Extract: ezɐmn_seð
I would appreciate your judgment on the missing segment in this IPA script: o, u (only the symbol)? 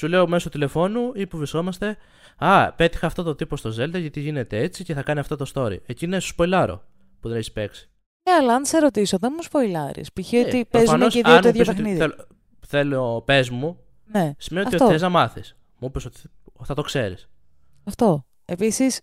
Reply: o